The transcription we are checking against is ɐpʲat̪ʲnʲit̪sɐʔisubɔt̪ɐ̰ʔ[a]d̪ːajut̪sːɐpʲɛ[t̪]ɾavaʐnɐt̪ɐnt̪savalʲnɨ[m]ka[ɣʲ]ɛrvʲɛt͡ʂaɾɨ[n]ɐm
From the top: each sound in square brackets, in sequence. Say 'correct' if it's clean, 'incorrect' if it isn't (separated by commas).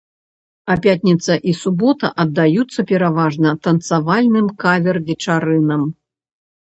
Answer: incorrect, incorrect, correct, incorrect, correct